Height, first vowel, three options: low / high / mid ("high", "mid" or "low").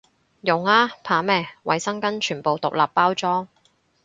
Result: high